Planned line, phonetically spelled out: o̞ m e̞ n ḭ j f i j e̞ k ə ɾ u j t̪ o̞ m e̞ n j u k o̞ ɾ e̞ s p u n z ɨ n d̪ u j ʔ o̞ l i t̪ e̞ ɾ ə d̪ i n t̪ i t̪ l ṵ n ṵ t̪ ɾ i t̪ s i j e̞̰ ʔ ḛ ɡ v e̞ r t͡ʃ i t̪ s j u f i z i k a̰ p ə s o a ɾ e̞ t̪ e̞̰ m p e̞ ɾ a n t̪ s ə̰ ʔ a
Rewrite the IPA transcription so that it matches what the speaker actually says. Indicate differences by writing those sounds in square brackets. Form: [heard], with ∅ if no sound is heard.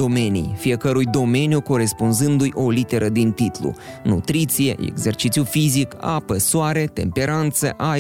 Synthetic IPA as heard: o̞ m e̞ n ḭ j f i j e̞ k ə ɾ u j [d̪] o̞ m e̞ n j u k o̞ ɾ e̞ s p u n z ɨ n d̪ u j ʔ o̞ l i t̪ e̞ ɾ ə d̪ i n t̪ i t̪ l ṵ n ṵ t̪ ɾ i t̪ s i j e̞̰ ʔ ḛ ɡ [z] e̞ r t͡ʃ i t̪ s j u f i z i k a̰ p ə s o a ɾ e̞ t̪ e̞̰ m p e̞ ɾ a n t̪ s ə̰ ʔ a